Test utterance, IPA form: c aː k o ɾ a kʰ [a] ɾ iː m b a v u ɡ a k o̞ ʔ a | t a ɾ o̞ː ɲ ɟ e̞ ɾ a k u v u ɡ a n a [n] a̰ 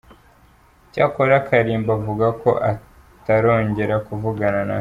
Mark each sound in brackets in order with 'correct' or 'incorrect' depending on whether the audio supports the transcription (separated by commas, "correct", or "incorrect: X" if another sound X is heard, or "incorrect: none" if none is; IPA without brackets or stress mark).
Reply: correct, correct